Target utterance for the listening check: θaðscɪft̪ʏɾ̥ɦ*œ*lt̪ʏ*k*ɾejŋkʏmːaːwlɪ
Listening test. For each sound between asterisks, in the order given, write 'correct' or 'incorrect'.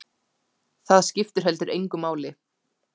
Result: incorrect, incorrect

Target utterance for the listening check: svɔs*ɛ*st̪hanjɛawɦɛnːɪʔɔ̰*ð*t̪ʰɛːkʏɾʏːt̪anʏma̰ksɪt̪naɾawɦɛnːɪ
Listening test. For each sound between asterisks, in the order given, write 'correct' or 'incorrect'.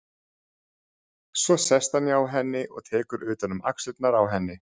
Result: correct, incorrect

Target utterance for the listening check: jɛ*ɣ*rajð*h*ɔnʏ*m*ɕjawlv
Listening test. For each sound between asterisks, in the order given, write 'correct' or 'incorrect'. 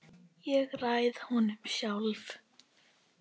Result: correct, correct, correct

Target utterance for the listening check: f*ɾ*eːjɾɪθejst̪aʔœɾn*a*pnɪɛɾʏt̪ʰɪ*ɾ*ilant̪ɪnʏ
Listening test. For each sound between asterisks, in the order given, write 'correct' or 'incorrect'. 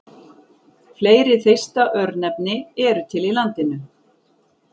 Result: incorrect, incorrect, incorrect

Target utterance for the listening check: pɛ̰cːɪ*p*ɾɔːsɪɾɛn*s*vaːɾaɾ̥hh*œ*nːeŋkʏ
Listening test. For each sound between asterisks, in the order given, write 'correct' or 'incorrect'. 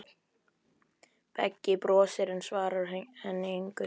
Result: correct, correct, incorrect

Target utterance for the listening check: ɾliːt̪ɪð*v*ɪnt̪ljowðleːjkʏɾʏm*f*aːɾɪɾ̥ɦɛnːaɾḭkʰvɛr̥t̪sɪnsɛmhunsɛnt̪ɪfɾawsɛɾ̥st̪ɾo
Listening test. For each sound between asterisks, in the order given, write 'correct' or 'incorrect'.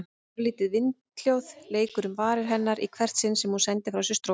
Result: correct, incorrect

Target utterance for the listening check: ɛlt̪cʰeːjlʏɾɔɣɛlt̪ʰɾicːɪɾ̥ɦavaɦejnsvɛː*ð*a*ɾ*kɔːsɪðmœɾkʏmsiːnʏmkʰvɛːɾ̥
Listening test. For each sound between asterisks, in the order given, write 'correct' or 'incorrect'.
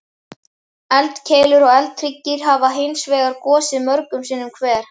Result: incorrect, correct

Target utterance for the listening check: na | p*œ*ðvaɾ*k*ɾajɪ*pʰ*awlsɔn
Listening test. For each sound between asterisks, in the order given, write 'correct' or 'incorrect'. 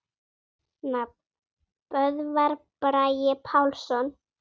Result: correct, incorrect, correct

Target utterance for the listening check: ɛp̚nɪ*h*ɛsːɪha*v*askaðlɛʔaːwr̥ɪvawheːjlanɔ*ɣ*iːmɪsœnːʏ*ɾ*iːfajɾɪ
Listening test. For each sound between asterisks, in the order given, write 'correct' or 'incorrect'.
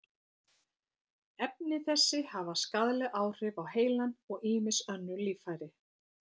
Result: incorrect, correct, correct, incorrect

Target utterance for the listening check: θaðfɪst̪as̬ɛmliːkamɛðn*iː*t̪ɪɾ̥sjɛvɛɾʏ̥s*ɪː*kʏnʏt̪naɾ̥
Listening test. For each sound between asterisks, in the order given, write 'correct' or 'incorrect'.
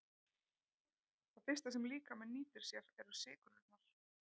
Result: correct, correct

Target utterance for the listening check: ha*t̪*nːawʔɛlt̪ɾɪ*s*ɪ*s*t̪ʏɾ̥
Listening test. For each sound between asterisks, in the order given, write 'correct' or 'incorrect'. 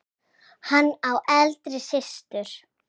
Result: incorrect, correct, correct

